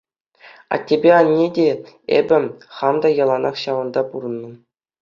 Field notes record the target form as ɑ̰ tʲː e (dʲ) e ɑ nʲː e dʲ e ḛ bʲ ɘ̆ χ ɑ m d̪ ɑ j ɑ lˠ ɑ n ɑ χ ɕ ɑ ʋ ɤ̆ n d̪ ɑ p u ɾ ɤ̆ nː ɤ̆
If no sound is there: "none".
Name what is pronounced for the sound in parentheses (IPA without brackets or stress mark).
bʲ